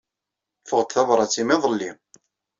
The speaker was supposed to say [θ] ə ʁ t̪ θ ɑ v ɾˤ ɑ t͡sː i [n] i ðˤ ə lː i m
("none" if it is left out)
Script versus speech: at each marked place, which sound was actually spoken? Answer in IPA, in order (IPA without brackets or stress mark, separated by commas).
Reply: f, m